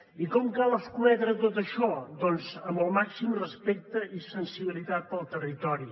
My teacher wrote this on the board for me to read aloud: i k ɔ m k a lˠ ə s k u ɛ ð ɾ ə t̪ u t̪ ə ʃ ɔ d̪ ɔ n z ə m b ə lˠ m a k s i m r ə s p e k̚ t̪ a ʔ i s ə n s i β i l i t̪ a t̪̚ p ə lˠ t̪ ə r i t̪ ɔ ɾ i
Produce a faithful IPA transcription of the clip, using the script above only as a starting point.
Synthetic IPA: i k ɔ m k a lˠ ə s k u ɛ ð ɾ ə t̪ o t̪ ə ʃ ɔ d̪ ɔ n z ə m b ə lˠ m a k s i m r ə s p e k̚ t̪ ə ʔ i s ə n s i β i l i t̪ a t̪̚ p ə lˠ t̪ ə r i t̪ ɔ ɾ i